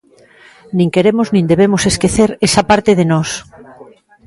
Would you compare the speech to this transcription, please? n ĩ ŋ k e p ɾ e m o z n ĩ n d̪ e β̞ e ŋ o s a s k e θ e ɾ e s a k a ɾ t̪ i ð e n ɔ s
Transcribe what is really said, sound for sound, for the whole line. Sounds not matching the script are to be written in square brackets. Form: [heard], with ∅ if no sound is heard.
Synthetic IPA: n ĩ ŋ k e [∅] ɾ e m o z n ĩ n d̪ e β̞ e [m] o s [e] s k e θ e ɾ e s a [p] a ɾ t̪ [e] ð e n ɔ s